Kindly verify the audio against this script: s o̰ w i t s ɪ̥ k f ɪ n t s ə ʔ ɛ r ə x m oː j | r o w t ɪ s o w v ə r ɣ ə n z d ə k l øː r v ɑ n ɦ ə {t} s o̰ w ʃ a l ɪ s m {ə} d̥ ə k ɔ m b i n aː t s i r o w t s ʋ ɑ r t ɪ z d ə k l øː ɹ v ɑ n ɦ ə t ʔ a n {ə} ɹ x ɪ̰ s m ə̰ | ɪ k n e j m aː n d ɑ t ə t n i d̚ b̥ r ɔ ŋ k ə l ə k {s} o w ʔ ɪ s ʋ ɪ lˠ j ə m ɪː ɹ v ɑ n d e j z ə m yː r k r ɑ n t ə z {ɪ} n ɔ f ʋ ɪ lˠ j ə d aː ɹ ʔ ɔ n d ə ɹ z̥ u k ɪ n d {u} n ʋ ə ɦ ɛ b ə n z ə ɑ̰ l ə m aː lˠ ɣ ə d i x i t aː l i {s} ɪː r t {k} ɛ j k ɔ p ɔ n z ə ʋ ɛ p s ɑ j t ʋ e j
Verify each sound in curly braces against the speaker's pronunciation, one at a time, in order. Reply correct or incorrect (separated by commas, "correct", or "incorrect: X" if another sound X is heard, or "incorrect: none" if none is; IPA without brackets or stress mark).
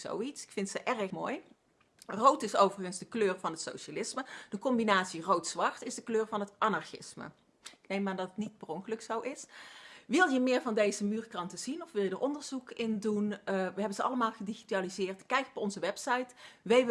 correct, correct, incorrect: ɑ, correct, incorrect: i, correct, incorrect: z, correct